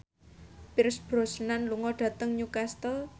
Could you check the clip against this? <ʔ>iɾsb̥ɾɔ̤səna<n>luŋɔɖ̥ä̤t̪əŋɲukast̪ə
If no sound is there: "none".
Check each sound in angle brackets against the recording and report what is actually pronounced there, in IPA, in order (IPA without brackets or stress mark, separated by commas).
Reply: p, n